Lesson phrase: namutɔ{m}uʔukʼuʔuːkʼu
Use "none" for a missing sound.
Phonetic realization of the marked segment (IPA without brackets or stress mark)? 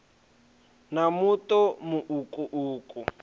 m